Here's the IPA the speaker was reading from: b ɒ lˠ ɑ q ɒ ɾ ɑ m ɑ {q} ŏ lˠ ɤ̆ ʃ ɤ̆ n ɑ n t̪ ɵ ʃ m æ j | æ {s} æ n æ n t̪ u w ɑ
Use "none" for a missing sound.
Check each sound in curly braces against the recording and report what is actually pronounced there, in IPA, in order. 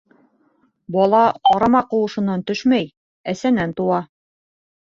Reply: q, s

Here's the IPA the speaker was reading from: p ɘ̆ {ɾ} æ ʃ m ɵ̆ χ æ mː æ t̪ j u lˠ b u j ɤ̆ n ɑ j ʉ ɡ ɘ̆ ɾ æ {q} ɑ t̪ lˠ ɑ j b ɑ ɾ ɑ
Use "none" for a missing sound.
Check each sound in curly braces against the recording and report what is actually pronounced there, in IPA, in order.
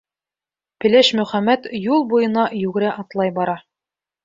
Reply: l, ʔ

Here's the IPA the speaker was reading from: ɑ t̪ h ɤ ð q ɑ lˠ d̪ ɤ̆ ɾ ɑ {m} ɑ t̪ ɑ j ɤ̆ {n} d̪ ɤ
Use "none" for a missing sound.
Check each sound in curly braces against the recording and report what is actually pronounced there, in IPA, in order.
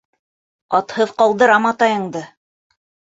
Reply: m, ɴ

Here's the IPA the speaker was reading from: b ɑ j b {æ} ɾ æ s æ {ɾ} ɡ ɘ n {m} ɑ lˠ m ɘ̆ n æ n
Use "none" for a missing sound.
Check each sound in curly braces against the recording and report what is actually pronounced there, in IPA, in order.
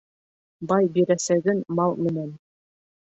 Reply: i, none, m

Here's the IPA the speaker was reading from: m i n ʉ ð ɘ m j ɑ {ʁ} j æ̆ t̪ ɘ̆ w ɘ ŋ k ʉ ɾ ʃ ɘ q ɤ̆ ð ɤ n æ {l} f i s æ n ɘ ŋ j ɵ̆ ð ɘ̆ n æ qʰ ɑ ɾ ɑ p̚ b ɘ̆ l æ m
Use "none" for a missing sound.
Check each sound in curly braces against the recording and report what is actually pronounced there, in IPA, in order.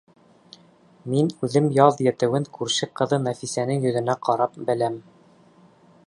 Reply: ð, none

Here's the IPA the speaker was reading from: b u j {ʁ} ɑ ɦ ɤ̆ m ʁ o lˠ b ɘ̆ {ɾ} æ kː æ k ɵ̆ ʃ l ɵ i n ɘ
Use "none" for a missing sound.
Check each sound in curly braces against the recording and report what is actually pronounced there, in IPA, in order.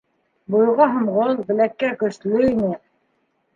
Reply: ʁ, l

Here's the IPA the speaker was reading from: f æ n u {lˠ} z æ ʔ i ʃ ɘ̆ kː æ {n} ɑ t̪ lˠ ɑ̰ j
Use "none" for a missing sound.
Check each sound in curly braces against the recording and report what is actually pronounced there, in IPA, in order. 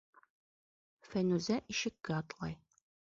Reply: none, none

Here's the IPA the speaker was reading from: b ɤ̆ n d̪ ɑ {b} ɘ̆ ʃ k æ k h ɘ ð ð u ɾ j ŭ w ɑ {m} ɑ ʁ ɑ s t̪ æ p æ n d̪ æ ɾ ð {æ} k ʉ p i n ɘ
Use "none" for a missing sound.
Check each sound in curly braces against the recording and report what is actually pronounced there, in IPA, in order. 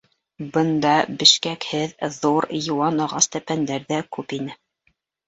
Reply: b, n, æ

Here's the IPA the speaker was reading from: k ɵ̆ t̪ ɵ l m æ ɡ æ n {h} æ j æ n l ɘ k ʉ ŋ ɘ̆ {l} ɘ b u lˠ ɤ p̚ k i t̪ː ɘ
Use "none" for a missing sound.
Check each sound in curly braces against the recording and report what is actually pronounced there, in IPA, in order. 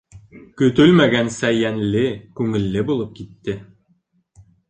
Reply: s, lː

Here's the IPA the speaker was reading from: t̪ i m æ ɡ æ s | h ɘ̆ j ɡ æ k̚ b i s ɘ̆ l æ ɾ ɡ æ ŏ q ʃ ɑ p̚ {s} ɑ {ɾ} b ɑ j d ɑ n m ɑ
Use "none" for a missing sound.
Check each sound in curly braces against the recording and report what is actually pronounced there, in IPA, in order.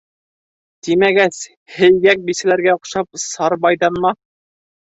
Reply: s, ɾ

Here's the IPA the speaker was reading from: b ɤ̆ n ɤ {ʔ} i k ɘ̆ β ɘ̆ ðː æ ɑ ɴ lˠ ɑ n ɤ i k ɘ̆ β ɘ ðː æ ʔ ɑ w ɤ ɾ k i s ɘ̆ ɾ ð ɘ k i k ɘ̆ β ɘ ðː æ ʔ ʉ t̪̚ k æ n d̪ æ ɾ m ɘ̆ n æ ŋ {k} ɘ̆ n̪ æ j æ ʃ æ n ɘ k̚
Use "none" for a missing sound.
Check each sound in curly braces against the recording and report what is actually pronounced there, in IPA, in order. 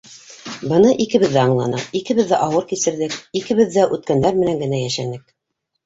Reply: ʔ, ɡ

